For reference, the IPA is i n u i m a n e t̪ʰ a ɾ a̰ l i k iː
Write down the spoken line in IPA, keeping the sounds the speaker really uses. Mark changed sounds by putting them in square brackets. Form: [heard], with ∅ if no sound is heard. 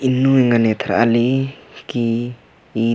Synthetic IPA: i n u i [ŋ] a n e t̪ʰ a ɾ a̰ l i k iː